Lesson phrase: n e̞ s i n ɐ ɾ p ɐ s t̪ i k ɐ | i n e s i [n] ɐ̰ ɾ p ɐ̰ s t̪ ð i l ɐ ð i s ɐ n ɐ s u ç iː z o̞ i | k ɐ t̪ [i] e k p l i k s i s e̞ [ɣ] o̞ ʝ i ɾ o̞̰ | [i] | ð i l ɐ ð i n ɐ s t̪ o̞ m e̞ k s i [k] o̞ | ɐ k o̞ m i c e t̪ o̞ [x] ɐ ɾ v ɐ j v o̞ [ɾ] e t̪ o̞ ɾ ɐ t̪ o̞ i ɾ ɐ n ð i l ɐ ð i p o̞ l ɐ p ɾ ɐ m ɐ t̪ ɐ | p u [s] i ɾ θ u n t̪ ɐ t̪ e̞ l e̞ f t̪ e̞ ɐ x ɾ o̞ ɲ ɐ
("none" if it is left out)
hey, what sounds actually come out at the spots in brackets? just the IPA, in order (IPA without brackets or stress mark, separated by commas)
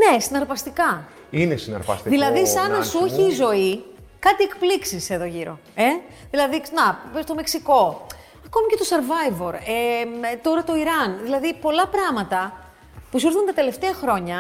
n, i, ð, e, k, s, ɾ, s